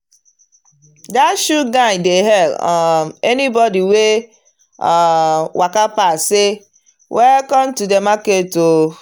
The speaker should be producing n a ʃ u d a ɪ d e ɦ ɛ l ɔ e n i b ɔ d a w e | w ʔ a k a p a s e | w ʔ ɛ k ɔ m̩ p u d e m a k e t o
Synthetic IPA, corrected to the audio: d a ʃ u ɡ a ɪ d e ɦ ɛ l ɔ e n i b ɔ d i w e | w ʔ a k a p a s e | w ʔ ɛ k ɔ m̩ t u d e m a k e t o